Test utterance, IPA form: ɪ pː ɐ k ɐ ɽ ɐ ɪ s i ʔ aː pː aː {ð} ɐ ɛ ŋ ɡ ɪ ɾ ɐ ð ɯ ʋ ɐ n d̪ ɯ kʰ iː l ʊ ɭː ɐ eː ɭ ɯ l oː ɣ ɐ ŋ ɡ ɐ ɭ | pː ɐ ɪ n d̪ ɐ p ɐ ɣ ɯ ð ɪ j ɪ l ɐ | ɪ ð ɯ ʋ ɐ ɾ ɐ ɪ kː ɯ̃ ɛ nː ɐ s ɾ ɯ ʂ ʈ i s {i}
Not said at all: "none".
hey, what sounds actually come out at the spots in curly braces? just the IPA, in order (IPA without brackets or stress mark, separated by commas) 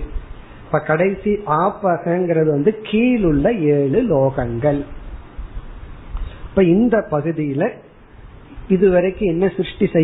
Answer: ɣ, ɛ